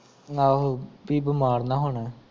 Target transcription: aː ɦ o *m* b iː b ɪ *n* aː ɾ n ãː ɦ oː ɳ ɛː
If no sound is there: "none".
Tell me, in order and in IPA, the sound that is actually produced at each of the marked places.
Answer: none, m

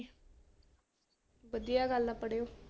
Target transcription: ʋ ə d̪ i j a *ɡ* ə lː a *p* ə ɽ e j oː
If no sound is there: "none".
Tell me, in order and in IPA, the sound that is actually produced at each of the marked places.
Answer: ɡ, p

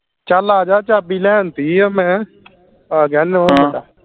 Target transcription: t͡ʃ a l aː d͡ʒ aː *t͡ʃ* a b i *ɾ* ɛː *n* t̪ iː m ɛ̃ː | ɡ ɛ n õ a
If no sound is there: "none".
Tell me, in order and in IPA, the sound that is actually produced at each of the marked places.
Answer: t͡ʃ, l, n

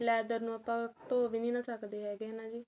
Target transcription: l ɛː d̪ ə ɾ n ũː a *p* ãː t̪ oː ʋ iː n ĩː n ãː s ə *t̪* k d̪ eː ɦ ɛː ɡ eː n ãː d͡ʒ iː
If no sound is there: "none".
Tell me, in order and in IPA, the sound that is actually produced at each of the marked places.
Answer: p, none

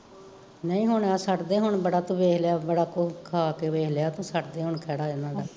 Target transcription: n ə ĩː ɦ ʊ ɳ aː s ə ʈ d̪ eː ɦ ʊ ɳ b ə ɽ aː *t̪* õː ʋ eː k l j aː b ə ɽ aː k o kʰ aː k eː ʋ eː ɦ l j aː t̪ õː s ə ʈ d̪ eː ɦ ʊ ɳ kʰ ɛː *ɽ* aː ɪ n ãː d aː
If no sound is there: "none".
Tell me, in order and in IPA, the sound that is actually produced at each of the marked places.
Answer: t̪, ɽ

